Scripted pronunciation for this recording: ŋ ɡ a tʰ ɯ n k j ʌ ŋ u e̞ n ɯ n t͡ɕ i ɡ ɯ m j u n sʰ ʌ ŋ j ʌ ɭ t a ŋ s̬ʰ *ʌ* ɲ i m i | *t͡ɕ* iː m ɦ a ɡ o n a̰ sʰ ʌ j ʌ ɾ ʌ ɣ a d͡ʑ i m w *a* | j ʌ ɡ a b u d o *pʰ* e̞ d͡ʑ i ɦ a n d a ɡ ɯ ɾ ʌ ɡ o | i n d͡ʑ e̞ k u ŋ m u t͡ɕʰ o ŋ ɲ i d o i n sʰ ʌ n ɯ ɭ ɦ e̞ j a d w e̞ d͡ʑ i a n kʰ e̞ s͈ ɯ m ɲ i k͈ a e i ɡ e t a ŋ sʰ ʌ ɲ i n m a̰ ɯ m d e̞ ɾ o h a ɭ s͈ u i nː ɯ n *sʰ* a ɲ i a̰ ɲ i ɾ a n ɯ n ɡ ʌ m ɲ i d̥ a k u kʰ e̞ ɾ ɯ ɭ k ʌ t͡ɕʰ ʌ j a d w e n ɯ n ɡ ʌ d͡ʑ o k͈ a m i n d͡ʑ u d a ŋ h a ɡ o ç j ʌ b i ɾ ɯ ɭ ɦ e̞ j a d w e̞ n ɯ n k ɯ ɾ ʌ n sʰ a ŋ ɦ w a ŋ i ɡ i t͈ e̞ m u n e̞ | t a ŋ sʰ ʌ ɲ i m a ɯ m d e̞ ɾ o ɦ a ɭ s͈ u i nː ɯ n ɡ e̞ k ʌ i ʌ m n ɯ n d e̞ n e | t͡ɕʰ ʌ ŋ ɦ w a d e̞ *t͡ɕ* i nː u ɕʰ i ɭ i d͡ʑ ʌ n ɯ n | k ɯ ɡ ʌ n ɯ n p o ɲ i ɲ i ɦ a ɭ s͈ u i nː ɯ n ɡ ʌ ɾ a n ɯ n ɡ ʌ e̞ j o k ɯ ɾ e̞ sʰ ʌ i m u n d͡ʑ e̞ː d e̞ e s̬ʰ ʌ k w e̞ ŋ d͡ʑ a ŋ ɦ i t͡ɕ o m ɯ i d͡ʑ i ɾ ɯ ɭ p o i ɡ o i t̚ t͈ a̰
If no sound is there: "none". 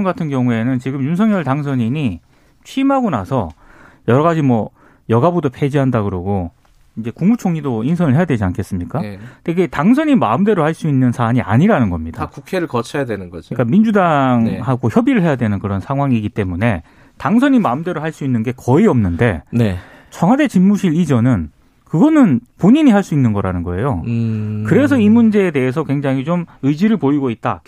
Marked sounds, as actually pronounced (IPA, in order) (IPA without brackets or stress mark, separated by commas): ʌ, t͡ɕʰ, ʌ, pʰ, sʰ, t͡ɕ